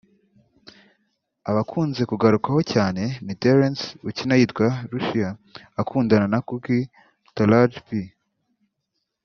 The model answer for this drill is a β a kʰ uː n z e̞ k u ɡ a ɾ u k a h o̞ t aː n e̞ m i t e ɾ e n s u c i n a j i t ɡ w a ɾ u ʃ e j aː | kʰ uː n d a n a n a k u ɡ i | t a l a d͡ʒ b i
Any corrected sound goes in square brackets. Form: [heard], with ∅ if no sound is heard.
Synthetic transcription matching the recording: a β a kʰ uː n z e̞ k u ɡ a ɾ u k a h o̞ [c] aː n e̞ m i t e ɾ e n s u c i n a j i t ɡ w a ɾ u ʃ [i] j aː | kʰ uː n d a n a n a k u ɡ i | t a l a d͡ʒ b i